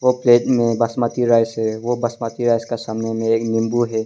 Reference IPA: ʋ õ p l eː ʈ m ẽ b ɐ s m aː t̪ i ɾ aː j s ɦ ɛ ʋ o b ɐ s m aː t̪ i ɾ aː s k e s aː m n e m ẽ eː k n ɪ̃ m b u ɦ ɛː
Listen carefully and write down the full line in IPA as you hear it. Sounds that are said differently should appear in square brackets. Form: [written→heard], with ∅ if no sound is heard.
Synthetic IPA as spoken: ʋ [õ→o] p l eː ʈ m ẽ b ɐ s m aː t̪ i ɾ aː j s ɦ ɛ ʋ o b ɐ s m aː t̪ i ɾ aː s k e s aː m n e m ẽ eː k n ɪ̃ m b u ɦ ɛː